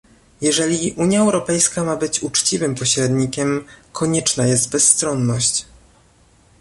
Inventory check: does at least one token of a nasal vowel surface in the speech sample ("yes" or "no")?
no